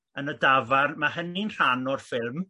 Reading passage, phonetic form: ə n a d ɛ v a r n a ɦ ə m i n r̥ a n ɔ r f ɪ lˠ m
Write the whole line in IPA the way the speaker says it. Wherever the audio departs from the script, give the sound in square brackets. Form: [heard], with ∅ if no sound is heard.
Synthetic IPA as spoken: ə n [ə] d [a] v a r [m] a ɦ ə [n] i n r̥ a n ɔ r f ɪ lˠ m